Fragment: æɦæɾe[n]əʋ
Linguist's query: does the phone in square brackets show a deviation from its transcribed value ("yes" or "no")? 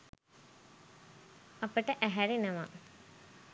no